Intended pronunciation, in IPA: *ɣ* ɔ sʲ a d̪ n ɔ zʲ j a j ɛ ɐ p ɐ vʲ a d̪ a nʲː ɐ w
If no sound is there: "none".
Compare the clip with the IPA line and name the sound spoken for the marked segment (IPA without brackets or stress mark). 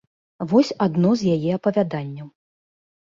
v